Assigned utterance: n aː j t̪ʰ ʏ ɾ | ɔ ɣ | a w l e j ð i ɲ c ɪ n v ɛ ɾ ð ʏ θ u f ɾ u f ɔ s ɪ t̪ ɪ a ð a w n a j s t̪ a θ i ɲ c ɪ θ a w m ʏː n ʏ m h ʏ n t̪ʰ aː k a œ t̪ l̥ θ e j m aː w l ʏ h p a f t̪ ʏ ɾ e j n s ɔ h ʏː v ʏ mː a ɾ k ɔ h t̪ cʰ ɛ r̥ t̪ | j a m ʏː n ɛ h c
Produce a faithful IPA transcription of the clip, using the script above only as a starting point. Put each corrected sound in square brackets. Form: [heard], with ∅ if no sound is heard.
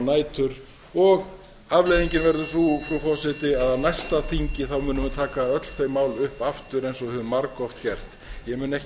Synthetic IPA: n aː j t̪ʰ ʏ ɾ | ɔ ɣ | a [v] l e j ð i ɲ c ɪ n v ɛ ɾ ð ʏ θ u f ɾ u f ɔ s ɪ t̪ ɪ a ð a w n a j s t̪ a θ i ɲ c ɪ θ a w m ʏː n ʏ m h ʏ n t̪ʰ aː k a œ t̪ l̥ θ e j m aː w l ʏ h p a f t̪ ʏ ɾ e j n s ɔ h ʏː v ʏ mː a ɾ k ɔ [f] t̪ [c] ɛ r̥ t̪ | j [ɛ] m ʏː n ɛ h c